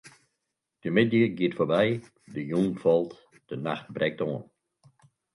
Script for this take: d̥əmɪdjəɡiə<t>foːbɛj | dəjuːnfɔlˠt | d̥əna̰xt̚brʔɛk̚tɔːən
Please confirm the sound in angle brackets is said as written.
yes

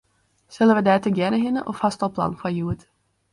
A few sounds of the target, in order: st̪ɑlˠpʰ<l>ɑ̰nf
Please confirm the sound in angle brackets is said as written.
yes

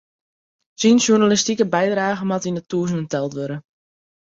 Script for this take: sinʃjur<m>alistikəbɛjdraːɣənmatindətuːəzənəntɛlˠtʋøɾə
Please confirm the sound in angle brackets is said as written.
no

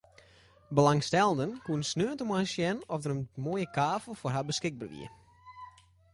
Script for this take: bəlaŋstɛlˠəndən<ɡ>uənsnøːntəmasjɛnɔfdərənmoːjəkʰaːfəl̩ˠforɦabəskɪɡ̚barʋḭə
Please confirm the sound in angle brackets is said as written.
no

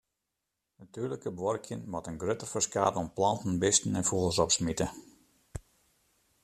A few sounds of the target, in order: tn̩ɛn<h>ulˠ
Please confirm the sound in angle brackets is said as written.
no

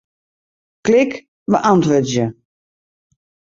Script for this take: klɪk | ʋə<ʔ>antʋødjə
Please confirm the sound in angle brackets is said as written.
yes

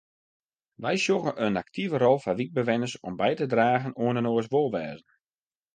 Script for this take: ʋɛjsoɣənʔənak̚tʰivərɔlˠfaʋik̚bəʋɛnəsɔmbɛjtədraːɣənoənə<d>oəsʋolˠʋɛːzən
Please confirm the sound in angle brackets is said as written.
no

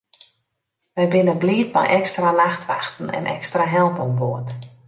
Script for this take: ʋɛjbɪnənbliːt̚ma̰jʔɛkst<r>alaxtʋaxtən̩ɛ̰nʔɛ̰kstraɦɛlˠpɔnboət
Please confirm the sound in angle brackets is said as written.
yes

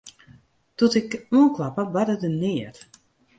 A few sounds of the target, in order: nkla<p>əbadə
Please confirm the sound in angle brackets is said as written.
yes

